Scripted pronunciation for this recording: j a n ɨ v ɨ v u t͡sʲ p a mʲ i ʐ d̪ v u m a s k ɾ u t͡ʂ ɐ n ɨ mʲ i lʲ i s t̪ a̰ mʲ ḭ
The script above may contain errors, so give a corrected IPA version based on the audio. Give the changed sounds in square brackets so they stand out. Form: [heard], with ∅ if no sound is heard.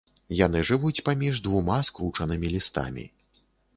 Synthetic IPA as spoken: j a n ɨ [ʐ] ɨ v u t͡sʲ p a mʲ i ʐ d̪ v u m a s k ɾ u t͡ʂ ɐ n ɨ mʲ i lʲ i s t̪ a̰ mʲ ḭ

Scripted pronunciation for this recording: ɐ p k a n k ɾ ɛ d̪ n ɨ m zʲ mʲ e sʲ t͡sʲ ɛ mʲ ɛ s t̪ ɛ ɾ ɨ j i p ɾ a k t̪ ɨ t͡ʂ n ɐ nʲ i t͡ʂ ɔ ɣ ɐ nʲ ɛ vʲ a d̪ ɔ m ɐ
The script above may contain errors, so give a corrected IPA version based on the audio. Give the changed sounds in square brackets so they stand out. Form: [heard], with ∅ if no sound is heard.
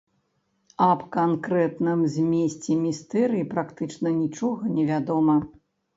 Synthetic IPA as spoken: ɐ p k a n k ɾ ɛ [t̪] n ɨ m zʲ mʲ e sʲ t͡sʲ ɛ mʲ [i] s t̪ ɛ ɾ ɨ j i p ɾ a k t̪ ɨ t͡ʂ n ɐ nʲ i t͡ʂ ɔ ɣ ɐ nʲ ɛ vʲ a d̪ ɔ m ɐ

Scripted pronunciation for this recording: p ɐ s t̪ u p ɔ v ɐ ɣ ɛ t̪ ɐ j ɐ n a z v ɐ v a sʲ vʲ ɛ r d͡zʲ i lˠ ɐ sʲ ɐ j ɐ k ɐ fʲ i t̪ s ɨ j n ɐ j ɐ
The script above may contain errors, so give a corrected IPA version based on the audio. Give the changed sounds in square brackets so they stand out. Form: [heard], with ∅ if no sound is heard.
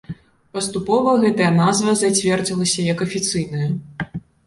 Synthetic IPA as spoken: p ɐ s t̪ u p ɔ v ɐ ɣ ɛ t̪ ɐ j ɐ n a z v ɐ [z] a [t͡sʲ] vʲ ɛ r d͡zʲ i lˠ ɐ sʲ ɐ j ɐ k ɐ fʲ i t̪ s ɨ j n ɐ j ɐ

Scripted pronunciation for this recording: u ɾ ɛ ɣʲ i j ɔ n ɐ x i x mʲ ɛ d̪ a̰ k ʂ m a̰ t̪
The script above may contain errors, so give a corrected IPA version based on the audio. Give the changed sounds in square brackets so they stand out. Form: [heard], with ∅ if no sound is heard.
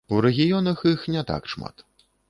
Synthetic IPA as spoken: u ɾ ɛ ɣʲ i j ɔ n ɐ x i x [nʲ] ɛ [t̪] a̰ k ʂ m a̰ t̪

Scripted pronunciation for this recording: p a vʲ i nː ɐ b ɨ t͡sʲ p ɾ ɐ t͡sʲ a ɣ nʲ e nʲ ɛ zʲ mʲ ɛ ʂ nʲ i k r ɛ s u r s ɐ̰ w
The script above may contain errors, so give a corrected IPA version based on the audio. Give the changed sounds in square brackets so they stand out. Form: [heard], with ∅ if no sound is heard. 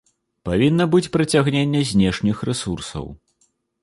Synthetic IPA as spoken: p a vʲ i nː ɐ b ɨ t͡sʲ p ɾ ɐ t͡sʲ a ɣ nʲ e [nʲː] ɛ zʲ [nʲ] ɛ ʂ nʲ i [x] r ɛ s u r s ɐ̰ w

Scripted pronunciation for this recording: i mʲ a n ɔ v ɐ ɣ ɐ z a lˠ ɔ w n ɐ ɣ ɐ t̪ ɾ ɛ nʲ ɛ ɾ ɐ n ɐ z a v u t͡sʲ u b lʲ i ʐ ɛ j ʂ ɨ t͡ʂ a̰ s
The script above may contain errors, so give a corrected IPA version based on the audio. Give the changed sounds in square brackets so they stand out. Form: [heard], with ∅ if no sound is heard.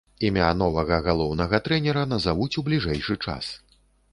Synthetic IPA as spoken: i mʲ a n ɔ v ɐ ɣ ɐ [ɣ] a lˠ ɔ w n ɐ ɣ ɐ t̪ ɾ ɛ nʲ ɛ ɾ ɐ n ɐ z a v u t͡sʲ u b lʲ i ʐ ɛ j ʂ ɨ t͡ʂ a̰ s

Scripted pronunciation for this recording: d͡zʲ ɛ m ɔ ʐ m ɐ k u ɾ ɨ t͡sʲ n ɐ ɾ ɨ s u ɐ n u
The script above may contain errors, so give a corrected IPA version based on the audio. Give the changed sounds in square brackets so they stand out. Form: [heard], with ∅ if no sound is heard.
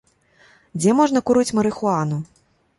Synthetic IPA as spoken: d͡zʲ ɛ m ɔ ʐ [n] ɐ k u ɾ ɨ t͡sʲ [m] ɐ ɾ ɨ [x] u [a] n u

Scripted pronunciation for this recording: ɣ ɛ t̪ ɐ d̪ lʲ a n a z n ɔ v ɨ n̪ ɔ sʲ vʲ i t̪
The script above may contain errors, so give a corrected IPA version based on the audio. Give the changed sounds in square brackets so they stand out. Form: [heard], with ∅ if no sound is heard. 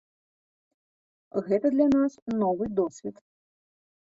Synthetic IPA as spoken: ɣ ɛ t̪ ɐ d̪ lʲ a n a [s] n ɔ v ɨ [d̪] ɔ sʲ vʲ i t̪

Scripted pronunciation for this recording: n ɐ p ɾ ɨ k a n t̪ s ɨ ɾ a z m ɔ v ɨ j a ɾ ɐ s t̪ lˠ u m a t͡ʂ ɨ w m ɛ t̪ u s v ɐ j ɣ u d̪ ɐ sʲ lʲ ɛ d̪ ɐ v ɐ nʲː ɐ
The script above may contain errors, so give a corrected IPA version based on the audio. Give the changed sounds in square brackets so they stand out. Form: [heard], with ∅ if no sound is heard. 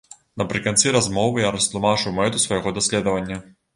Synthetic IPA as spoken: n ɐ p ɾ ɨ k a n t̪ s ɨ ɾ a z m ɔ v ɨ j a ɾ ɐ s t̪ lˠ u m a t͡ʂ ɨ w m ɛ t̪ u s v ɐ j ɣ [ɔ] d̪ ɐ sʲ lʲ ɛ d̪ ɐ v ɐ nʲː ɐ

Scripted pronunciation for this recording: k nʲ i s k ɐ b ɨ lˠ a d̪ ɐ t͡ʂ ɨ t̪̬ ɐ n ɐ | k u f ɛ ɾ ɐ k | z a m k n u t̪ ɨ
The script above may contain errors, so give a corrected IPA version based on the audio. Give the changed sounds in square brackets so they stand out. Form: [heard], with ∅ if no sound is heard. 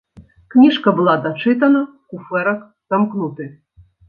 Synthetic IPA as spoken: k nʲ i [ʂ] k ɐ b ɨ lˠ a d̪ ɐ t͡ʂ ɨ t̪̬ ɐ n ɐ | k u f ɛ ɾ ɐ k | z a m k n u t̪ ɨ

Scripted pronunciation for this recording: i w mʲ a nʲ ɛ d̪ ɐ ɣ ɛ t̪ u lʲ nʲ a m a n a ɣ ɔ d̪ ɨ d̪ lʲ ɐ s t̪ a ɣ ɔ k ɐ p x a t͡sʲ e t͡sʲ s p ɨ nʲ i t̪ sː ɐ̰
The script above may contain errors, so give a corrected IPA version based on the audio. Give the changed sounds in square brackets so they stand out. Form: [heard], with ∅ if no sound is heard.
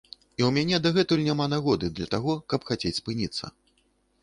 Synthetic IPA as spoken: i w mʲ a nʲ ɛ d̪ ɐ ɣ ɛ t̪ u lʲ nʲ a m a n a ɣ ɔ d̪ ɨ d̪ lʲ ɐ [∅] t̪ a ɣ ɔ k ɐ p x a t͡sʲ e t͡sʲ s p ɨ nʲ i t̪ sː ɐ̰

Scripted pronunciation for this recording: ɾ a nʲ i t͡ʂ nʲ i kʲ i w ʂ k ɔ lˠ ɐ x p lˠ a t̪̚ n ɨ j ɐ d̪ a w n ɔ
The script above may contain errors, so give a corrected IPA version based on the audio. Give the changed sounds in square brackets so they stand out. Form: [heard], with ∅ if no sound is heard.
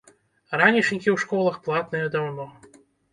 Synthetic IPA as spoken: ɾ a nʲ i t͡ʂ nʲ i kʲ i w ʂ k ɔ lˠ ɐ x p lˠ a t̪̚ n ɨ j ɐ d̪ a w n ɔ

